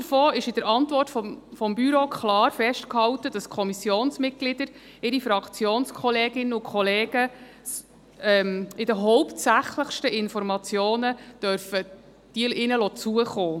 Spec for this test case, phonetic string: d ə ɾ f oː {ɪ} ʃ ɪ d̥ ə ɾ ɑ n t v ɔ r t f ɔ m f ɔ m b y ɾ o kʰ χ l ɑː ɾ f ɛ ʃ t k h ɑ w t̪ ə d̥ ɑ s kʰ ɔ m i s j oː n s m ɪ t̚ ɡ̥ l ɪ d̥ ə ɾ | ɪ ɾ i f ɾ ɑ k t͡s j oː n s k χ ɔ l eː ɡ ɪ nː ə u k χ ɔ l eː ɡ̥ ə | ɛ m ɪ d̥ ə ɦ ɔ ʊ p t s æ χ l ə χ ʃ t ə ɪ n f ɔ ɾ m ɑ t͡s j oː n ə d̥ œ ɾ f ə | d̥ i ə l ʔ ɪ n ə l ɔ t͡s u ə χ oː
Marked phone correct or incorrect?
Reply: correct